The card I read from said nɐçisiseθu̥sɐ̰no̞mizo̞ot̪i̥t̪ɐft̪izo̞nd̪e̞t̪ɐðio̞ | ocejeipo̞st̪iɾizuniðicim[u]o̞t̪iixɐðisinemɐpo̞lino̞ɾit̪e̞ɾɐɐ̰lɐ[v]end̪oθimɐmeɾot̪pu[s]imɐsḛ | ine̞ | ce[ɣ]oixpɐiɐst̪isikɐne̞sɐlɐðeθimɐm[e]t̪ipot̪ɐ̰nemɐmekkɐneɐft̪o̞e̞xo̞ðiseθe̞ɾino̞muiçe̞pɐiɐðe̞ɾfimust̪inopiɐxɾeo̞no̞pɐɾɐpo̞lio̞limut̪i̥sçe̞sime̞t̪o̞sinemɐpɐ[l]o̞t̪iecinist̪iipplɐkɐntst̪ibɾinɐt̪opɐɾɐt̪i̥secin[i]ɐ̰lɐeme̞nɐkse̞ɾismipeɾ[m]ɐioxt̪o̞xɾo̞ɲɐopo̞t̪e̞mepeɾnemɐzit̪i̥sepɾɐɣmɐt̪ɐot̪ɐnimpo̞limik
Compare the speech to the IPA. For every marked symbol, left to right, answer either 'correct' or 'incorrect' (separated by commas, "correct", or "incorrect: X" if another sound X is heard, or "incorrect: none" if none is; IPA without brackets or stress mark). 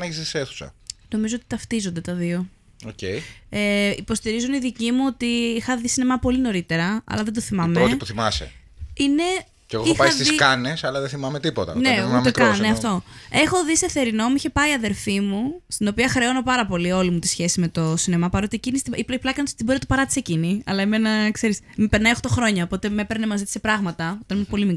correct, incorrect: ð, incorrect: θ, correct, correct, incorrect: ɾ, correct, incorrect: n